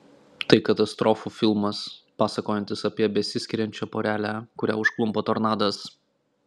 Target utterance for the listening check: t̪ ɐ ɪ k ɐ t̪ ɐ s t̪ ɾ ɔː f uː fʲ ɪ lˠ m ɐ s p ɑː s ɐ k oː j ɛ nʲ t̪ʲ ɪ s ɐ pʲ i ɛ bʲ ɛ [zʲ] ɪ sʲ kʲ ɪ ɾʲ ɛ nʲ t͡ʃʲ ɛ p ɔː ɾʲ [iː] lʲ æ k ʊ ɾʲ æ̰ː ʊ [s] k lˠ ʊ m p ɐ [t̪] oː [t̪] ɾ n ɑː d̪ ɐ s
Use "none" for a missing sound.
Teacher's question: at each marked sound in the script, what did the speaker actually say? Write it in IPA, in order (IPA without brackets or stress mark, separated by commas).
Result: sʲ, æː, ʃ, t̪, none